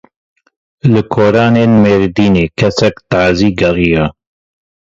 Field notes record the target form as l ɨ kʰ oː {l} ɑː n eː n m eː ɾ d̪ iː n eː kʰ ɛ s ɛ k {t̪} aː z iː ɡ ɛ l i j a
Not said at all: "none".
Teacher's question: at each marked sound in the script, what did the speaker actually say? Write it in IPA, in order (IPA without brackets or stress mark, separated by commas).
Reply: ɾ, t̪